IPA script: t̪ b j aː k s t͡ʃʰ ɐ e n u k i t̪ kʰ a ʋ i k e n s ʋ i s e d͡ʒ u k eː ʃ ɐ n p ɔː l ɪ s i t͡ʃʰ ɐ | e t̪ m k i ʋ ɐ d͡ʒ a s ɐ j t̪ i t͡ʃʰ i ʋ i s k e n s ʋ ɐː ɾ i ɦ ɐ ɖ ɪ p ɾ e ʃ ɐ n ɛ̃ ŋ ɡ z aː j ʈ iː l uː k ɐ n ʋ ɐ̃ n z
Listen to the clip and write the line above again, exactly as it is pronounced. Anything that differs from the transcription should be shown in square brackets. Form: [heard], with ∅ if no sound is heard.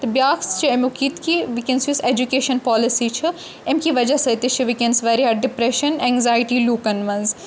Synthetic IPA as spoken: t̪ b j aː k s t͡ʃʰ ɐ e [m] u k i t̪ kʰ [i] ʋ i k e n s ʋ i s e d͡ʒ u k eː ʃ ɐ n p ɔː l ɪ s i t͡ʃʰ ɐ | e [∅] m k i ʋ ɐ d͡ʒ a s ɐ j t̪ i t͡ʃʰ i ʋ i [∅] k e n s ʋ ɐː ɾ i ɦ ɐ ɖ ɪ p ɾ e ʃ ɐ n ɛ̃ ŋ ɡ z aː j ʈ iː l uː k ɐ n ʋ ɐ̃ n z

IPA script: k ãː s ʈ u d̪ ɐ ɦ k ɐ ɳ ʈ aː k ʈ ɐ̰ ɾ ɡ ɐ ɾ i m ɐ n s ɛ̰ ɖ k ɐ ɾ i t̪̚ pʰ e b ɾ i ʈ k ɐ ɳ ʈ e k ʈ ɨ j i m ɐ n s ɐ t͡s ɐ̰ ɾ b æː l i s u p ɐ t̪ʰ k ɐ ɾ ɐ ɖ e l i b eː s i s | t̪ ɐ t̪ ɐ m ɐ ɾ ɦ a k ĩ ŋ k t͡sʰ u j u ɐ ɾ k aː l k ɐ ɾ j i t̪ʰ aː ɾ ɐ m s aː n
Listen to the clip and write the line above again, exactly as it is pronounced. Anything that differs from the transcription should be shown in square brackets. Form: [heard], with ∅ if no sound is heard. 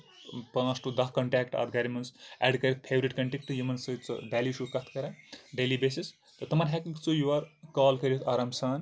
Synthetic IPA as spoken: [p] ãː s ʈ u d̪ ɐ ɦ k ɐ ɳ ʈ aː k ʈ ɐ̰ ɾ ɡ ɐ ɾ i m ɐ n s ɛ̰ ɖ k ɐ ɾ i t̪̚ pʰ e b ɾ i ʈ k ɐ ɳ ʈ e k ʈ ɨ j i m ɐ n s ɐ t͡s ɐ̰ [∅] b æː l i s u [k] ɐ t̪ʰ k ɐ ɾ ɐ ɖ e l i b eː s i s | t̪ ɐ t̪ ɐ m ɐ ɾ ɦ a k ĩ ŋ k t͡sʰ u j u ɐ ɾ k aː l k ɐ ɾ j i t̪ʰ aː ɾ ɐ m s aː n

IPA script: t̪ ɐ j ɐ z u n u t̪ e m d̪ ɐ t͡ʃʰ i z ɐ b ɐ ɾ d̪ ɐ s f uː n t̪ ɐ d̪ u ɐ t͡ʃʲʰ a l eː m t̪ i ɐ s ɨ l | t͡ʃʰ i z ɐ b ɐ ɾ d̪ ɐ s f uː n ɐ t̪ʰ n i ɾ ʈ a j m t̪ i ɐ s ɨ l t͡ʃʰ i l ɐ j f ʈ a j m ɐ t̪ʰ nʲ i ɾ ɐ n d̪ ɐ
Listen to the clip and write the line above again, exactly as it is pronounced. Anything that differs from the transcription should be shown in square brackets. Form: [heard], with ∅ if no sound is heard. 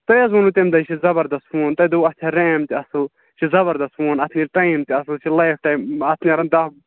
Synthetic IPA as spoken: t̪ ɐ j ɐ z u n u t̪ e m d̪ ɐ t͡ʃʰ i z ɐ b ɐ ɾ d̪ ɐ s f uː n t̪ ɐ d̪ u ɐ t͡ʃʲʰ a [ɾ] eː m t̪ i ɐ s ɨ l | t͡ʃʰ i z ɐ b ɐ ɾ d̪ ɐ s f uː n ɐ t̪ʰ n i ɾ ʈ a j m t̪ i ɐ s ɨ l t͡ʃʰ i l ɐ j f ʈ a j m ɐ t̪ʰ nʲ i ɾ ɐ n d̪ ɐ

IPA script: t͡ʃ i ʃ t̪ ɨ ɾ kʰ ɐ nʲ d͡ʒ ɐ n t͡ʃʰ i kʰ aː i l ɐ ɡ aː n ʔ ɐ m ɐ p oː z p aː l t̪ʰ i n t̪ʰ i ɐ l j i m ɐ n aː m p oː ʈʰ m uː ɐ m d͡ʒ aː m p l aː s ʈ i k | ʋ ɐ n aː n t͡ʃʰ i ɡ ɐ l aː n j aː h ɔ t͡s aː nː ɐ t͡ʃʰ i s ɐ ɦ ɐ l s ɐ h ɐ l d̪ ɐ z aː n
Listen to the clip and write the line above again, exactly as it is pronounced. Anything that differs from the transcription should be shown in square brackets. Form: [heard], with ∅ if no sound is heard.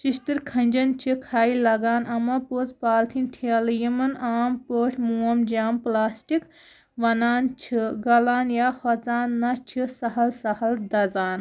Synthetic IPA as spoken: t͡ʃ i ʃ t̪ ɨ ɾ kʰ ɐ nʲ d͡ʒ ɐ n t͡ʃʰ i kʰ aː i l ɐ ɡ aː n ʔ ɐ m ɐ p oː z p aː l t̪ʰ i n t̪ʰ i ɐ l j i m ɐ n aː m p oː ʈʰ m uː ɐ m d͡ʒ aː m p l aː s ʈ i k | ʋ ɐ n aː n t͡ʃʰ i ɡ ɐ l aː n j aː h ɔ t͡s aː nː ɐ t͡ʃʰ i s ɐ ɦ ɐ l s ɐ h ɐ l d̪ ɐ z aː n

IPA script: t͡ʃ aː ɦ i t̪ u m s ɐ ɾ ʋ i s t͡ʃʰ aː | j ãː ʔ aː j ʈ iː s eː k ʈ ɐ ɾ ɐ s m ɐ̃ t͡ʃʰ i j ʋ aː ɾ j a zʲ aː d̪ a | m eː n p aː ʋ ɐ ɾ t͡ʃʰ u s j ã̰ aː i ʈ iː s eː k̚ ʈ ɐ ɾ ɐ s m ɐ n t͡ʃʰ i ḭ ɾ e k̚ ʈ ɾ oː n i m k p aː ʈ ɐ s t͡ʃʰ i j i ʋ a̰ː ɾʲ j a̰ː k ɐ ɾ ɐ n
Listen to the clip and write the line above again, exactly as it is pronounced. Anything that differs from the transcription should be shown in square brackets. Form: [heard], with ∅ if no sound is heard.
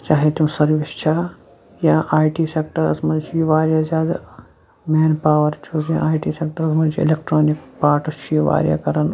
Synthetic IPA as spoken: t͡ʃ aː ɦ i t̪ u m s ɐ ɾ ʋ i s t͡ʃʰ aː | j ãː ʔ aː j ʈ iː s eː k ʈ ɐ ɾ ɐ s m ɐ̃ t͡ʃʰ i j ʋ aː ɾ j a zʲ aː d̪ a | m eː n p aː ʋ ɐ ɾ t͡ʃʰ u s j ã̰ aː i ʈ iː s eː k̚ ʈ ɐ ɾ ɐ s m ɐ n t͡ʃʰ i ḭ [l] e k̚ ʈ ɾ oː n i [∅] k p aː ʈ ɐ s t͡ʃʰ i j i ʋ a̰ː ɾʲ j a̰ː k ɐ ɾ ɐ n

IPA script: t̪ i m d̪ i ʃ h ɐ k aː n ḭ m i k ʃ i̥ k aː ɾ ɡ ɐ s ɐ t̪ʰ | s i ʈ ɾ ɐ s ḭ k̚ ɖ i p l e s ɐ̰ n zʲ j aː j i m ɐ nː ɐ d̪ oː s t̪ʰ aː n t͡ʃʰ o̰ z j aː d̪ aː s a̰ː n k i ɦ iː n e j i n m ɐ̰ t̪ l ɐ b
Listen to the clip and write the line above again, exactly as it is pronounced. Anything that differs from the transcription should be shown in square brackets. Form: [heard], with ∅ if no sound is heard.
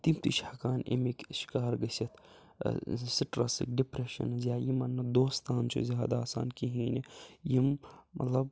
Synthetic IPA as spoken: t̪ i m [t̪] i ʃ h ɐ k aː n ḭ m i k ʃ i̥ k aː ɾ ɡ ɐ s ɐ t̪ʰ | s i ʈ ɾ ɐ s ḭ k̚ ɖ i p [ɾ] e [ʃ] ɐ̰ n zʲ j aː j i m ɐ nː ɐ d̪ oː s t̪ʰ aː n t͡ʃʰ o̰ z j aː d̪ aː s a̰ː n k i ɦ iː n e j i [m] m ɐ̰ t̪ l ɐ b

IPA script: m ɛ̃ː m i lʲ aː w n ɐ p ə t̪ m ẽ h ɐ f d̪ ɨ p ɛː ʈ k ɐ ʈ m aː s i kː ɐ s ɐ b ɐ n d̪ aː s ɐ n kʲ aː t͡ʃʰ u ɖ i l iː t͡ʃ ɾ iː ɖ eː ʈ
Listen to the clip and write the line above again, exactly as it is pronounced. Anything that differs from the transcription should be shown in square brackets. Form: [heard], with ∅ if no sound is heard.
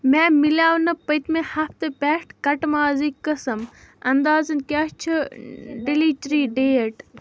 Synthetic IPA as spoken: m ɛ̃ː m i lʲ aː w n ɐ p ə t̪ m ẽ h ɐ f [t̪] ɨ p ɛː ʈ k ɐ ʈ m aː [z] i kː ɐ s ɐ [m] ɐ n d̪ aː [z] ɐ n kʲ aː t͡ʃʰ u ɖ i l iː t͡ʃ ɾ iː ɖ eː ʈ

